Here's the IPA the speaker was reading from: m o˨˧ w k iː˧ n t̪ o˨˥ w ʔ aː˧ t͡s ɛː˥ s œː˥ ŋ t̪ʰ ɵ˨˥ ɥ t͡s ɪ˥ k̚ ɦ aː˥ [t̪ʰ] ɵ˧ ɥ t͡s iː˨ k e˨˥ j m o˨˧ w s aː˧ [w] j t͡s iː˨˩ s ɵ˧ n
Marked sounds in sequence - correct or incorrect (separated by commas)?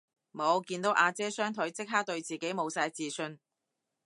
incorrect, incorrect